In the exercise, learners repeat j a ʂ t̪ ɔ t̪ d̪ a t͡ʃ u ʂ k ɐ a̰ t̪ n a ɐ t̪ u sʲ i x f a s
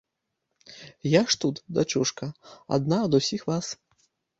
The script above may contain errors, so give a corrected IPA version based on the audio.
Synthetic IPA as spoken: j a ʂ t̪ u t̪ d̪ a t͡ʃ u ʂ k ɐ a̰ d̪ n a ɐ d̪ u sʲ i x v a s